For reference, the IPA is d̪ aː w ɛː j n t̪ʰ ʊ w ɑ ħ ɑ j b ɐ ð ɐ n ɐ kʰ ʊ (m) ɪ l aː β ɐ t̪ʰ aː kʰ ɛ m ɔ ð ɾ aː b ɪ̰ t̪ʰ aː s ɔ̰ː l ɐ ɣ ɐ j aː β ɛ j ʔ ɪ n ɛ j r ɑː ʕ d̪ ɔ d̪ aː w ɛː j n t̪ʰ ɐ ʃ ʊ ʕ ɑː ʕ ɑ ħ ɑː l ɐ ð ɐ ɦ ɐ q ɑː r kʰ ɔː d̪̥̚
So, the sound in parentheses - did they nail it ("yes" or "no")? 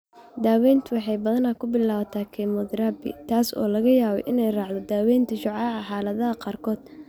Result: no